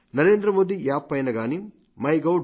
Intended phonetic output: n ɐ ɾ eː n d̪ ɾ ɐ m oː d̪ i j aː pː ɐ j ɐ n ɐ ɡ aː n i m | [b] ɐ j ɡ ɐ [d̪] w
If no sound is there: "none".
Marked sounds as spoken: m, none

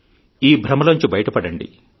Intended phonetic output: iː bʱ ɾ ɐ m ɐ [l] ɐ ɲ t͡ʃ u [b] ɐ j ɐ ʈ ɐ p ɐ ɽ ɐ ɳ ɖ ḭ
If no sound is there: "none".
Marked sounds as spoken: l, b

